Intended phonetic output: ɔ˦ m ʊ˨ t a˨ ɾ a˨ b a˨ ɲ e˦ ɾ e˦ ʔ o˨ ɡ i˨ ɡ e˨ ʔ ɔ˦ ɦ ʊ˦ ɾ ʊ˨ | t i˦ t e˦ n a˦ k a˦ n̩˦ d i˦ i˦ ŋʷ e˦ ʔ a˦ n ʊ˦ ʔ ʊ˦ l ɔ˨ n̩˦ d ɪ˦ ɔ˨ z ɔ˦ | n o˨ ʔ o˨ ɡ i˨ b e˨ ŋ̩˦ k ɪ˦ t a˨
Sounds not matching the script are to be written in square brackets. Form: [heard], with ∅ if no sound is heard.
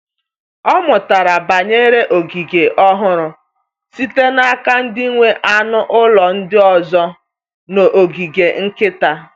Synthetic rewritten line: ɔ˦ m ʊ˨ t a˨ ɾ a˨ b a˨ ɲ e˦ ɾ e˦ ʔ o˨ ɡ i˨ ɡ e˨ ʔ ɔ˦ ɦ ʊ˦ ɾ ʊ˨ | [s] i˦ t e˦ n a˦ k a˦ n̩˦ d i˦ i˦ ŋʷ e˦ ʔ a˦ n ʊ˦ ʔ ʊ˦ l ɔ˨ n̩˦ d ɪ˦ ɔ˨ z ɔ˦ | n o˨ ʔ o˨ ɡ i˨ [ɡ] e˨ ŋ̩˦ k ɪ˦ t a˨